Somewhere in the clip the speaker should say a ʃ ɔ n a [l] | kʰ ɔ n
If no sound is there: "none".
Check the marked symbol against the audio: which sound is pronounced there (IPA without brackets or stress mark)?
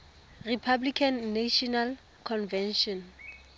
l